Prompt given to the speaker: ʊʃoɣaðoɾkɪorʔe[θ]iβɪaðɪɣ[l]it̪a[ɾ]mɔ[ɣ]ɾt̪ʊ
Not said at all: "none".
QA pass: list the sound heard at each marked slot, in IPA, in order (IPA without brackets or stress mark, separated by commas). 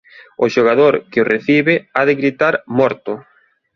θ, ɾ, ɾ, none